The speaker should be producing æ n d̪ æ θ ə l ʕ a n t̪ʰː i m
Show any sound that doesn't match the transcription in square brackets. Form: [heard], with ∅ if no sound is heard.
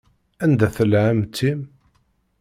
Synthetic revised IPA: æ n d̪ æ θ ə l ʕ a [m] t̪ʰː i m